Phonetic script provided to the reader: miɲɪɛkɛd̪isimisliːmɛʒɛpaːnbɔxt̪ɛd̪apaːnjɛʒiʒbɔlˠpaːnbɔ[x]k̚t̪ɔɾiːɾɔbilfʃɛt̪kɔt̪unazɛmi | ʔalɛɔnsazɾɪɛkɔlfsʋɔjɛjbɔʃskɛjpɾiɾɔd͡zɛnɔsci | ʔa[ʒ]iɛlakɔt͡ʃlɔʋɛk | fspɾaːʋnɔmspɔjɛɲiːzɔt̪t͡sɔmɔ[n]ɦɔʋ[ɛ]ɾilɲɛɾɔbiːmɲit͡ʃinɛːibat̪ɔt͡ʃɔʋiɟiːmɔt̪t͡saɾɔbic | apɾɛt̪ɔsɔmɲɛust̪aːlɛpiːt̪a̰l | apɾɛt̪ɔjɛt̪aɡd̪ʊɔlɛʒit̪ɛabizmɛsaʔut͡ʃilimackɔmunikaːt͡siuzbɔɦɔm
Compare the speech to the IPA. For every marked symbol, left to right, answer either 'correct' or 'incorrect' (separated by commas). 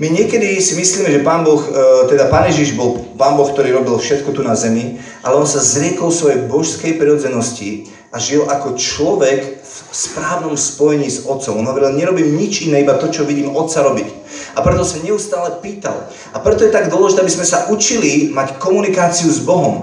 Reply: correct, correct, correct, correct